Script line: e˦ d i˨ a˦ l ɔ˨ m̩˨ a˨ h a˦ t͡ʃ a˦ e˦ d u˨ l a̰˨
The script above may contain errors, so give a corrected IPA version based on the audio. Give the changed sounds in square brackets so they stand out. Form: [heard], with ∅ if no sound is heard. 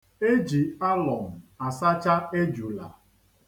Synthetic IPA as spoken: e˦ [d͡ʒ] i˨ a˦ l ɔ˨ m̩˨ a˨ [s] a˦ t͡ʃ a˦ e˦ [d͡ʒ] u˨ l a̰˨